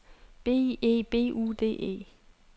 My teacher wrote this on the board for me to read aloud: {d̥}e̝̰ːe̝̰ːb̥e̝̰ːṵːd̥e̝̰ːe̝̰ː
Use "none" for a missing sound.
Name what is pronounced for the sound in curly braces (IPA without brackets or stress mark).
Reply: b̥